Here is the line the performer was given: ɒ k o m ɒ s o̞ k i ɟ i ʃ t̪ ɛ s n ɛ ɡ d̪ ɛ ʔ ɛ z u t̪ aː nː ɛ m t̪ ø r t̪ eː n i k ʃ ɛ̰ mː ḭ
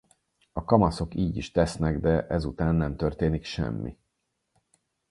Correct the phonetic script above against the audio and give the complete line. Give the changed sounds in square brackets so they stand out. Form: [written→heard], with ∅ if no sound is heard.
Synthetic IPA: ɒ k [o→ɒ] m ɒ s o̞ k [i→iː] ɟ i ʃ t̪ ɛ s n ɛ ɡ d̪ ɛ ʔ ɛ z u t̪ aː nː ɛ m t̪ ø r t̪ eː n i k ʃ ɛ̰ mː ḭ